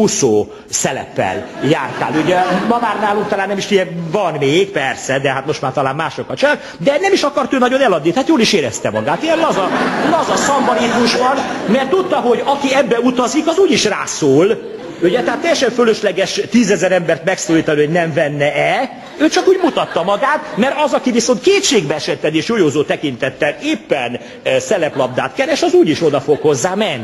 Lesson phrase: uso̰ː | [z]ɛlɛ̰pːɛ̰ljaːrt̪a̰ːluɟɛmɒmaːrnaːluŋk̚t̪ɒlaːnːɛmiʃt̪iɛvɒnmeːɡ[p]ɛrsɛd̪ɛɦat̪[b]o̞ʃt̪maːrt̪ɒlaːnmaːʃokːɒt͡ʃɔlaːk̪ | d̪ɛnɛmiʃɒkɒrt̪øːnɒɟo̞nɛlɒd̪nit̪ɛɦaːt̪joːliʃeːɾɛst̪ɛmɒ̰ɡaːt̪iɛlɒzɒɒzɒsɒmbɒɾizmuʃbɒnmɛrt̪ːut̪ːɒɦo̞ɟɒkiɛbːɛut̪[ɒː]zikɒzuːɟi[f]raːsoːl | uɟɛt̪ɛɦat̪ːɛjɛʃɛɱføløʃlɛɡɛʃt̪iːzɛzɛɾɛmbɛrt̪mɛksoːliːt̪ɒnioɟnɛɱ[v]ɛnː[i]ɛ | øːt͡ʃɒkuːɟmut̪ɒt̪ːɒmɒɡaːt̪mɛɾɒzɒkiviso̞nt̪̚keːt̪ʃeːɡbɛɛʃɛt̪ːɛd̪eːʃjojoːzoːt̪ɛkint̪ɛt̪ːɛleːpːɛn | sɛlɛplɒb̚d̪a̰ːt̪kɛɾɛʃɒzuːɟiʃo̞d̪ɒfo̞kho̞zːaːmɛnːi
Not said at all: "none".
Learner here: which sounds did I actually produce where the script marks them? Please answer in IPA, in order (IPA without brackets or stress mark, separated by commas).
s, p, m, ɒ, ʃ, v, ɛ